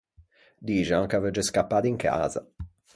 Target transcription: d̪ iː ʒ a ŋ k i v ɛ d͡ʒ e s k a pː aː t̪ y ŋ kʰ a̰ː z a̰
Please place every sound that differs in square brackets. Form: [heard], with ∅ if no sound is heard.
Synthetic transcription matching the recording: d̪ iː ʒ a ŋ k [a] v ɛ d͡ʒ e s k a pː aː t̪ [i] ŋ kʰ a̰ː z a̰